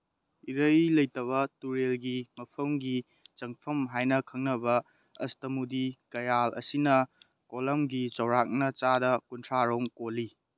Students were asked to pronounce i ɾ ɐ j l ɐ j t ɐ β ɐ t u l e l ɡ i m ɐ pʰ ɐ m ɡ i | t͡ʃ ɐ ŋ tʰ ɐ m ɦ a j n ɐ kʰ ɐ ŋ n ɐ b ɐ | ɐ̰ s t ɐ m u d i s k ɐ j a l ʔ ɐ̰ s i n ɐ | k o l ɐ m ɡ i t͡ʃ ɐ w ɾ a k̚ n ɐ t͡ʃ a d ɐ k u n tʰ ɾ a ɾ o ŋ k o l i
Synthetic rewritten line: i ɾ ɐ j l ɐ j t ɐ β ɐ t u ɾ e l ɡ i m ɐ pʰ ɐ m ɡ i | t͡ʃ ɐ ŋ pʰ ɐ m ɦ a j n ɐ kʰ ɐ ŋ n ɐ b ɐ | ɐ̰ s t ɐ m u d i k ɐ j a l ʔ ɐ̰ s i n ɐ | k o l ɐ m ɡ i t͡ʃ ɐ w ɾ a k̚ n ɐ t͡ʃ a d ɐ k u n tʰ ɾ a ɾ o ŋ k o l i